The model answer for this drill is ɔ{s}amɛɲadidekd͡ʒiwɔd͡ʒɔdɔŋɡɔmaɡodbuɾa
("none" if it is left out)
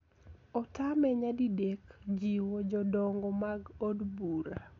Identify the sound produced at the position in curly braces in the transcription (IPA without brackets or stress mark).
t